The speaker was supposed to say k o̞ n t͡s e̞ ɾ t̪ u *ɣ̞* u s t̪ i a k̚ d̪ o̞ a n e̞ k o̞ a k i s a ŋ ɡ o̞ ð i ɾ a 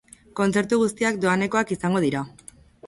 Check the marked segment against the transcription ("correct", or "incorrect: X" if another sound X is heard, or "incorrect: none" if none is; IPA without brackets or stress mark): correct